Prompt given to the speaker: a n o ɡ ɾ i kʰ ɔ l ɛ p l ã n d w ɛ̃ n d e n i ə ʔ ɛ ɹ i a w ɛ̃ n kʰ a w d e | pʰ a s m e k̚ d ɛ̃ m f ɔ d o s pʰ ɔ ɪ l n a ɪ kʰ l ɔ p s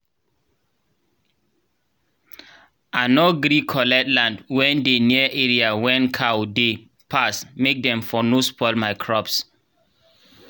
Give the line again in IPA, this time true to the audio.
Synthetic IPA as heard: a n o ɡ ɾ i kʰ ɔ l ɛ t l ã n d w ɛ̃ n d e n i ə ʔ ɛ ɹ i a w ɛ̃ n kʰ a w d e | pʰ a s m e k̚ d ɛ̃ m f ɔ n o s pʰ ɔ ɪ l m a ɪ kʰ ɹ ɔ p s